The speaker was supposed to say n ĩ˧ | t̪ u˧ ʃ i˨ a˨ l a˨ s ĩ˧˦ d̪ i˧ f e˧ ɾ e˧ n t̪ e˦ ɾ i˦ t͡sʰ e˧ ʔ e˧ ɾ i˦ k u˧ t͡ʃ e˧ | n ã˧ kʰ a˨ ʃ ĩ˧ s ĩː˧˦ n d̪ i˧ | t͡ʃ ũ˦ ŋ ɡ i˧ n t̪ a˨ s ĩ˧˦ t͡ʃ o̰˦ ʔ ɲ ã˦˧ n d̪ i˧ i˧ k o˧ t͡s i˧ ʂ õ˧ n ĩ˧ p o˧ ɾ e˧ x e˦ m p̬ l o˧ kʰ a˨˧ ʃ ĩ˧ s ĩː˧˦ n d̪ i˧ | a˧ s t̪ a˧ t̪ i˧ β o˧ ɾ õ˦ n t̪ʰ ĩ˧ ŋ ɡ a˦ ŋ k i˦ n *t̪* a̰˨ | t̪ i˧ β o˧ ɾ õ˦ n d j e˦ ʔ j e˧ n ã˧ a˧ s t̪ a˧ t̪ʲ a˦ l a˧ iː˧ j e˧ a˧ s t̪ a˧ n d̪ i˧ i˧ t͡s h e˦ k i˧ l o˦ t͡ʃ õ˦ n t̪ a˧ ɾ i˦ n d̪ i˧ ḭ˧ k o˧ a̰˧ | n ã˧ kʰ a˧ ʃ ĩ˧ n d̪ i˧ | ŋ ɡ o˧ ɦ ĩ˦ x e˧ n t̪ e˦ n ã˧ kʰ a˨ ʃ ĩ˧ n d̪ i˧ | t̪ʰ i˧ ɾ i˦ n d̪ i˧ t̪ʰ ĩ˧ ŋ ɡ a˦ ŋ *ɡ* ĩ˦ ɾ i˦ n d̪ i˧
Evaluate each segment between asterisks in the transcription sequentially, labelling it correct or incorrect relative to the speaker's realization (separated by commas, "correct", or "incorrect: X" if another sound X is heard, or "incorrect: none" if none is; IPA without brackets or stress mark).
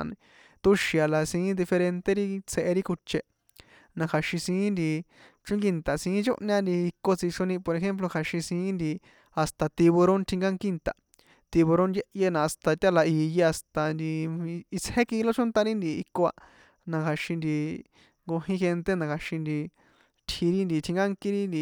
correct, incorrect: k